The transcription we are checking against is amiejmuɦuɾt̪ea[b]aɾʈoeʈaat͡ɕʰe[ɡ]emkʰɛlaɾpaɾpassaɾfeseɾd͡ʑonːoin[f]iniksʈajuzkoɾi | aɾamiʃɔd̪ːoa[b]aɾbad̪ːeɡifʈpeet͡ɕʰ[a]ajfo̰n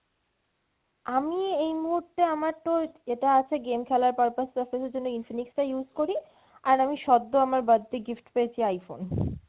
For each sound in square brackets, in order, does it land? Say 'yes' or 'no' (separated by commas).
no, yes, yes, no, no